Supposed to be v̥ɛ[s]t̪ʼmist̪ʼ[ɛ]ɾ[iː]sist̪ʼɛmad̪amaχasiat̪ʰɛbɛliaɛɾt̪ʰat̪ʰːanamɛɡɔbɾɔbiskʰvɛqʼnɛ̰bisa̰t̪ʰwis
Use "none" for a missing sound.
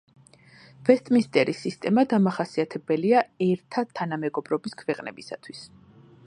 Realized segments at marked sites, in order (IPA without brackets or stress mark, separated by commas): s, ɛ, i